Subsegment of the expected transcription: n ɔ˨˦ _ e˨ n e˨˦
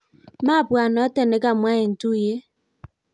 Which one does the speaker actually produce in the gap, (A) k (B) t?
B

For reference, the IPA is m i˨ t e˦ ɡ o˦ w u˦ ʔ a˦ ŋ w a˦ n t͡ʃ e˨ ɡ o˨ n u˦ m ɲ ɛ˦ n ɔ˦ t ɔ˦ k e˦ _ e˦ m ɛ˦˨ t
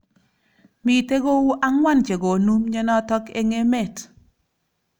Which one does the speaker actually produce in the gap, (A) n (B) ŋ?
B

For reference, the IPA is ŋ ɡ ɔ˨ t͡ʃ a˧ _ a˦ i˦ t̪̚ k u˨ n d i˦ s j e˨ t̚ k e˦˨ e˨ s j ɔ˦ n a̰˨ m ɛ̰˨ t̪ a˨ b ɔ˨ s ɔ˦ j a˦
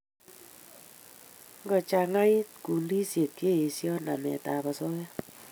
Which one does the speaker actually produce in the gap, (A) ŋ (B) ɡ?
A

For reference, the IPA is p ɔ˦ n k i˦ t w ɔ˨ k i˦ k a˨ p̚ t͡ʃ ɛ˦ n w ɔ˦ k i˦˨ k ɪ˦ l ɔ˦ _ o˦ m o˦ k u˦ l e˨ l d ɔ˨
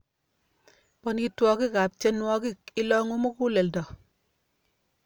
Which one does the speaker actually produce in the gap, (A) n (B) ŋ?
B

